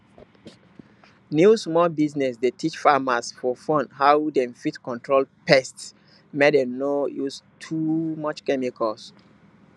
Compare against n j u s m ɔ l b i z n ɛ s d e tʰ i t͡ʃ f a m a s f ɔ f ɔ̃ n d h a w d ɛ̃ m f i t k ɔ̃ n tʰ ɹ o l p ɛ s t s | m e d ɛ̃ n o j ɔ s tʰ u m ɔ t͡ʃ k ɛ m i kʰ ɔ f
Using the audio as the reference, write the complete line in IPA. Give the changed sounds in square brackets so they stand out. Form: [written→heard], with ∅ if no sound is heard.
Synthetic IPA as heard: n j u s m ɔ l b i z n ɛ s d e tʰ i t͡ʃ f a m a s f ɔ f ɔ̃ n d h a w d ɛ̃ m f i t k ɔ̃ n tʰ ɹ o l p ɛ s t s | m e d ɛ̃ n o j [ɔ→u] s tʰ u m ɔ t͡ʃ k ɛ m i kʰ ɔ [f→s]